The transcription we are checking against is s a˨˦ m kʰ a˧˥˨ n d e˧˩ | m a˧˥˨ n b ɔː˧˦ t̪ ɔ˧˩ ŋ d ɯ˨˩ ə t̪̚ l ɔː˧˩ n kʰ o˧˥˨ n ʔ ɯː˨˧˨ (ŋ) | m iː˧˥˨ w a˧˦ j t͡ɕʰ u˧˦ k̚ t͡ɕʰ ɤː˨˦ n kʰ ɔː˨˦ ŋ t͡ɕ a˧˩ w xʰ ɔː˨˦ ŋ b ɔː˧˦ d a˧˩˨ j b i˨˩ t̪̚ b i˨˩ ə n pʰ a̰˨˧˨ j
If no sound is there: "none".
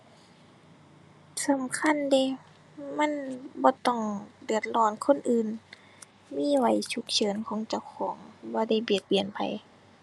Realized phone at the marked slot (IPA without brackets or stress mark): n